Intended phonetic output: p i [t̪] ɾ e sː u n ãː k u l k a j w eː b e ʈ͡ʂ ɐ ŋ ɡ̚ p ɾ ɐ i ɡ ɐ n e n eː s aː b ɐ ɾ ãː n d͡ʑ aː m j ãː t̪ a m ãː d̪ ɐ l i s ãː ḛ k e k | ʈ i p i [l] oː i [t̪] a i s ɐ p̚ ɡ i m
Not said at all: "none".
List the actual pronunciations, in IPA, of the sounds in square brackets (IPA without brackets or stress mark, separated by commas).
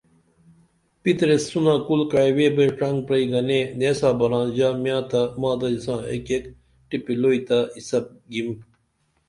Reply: t̪, l, t̪